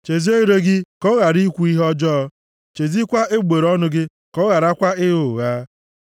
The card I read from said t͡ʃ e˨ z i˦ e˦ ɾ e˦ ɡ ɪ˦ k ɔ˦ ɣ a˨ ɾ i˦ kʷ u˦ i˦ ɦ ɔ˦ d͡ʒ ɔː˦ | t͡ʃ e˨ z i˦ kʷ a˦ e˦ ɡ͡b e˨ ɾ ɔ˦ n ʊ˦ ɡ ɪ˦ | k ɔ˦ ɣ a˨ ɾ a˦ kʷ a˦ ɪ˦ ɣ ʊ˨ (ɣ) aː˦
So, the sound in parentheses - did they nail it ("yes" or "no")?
yes